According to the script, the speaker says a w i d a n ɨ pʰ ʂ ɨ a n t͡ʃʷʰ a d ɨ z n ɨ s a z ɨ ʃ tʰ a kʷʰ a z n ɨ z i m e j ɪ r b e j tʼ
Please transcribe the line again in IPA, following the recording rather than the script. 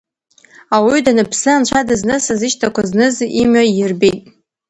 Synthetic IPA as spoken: a w i d a n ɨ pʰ s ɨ a n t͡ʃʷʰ a d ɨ z n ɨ s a z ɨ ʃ tʰ a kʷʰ a z n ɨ z i m a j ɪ r b e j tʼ

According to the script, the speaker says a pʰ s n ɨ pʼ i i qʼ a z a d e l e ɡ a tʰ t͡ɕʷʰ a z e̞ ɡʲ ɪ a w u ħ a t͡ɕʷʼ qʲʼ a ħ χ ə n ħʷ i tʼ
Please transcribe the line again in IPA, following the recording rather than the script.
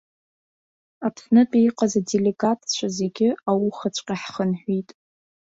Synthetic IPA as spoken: a pʰ s n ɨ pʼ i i qʼ a z a d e l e ɡ a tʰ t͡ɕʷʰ a z e̞ ɡʲ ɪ a w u χ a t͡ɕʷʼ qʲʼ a ħ χ ə n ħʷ i tʼ

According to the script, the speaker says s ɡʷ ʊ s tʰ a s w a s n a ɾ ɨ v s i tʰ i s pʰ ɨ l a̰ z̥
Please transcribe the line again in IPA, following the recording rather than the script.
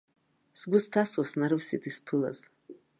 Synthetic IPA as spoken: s ɡʷ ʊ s tʰ a s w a s n a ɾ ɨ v s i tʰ i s pʰ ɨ l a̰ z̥

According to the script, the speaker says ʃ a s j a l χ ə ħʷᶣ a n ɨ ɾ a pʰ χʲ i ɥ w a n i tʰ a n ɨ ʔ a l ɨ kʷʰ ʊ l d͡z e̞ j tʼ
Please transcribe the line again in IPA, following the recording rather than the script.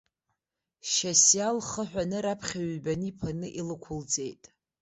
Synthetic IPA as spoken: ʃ a s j a l χ ə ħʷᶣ a n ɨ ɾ a pʰ χʲ a ɥ b a n i pʰ a n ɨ ʔ i l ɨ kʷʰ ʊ l d͡z e̞ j tʼ

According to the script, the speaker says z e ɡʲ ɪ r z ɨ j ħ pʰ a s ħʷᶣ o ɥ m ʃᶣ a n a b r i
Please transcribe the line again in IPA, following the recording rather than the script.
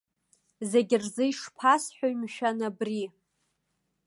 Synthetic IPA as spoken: z e ɡʲ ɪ r z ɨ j ʂ pʰ a s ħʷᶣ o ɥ m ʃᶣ a n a b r i

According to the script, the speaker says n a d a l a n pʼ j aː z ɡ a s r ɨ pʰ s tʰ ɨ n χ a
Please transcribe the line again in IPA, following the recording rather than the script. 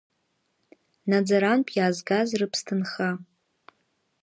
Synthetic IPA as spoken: n a d͡z a ɾ a n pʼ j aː z ɡ a z r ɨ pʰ s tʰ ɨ n χ a

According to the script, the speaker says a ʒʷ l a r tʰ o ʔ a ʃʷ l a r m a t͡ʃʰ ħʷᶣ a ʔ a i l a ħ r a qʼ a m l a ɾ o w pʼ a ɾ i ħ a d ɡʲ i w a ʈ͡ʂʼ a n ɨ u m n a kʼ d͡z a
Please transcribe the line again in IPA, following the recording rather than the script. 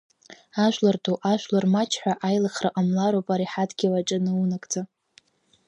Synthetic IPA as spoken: a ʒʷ l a r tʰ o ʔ a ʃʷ l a r m a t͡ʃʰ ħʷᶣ a ʔ a j l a χ r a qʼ a m l a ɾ o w pʼ a ɾ i ħ a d ɡʲ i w a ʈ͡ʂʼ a n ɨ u n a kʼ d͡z a

